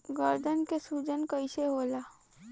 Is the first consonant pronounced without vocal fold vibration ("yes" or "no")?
no